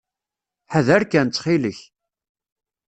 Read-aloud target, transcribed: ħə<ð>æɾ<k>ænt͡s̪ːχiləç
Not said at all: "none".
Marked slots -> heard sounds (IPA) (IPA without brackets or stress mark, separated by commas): ð, k